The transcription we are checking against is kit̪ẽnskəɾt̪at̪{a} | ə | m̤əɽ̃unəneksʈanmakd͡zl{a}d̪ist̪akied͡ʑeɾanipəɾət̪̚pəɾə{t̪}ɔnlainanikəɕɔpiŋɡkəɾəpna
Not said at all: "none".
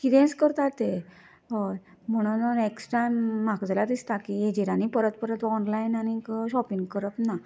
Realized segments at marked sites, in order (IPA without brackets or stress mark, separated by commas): e, a, t̪